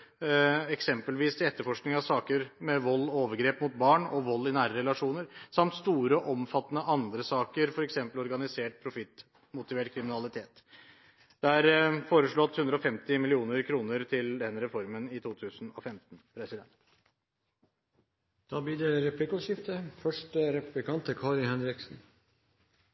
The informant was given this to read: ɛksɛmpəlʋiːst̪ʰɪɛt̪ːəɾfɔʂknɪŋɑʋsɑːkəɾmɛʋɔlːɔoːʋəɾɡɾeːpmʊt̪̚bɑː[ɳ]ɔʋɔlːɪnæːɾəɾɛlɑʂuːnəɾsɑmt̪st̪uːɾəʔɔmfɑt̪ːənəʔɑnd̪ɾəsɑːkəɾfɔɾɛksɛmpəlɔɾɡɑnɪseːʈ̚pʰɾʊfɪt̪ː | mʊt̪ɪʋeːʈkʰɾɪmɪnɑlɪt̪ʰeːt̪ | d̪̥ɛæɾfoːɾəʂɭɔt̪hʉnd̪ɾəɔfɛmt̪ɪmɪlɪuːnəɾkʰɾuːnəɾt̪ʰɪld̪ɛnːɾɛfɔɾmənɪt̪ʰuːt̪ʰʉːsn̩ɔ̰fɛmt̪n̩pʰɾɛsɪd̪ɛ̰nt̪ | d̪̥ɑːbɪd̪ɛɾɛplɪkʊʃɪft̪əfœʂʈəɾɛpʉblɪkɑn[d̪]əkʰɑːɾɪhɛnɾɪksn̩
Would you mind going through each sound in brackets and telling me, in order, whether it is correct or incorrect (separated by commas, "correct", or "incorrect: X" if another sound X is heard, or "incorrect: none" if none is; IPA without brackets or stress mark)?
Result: correct, incorrect: t̪